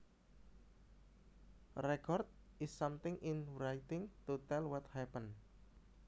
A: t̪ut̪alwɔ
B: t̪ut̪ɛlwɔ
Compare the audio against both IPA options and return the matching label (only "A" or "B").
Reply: B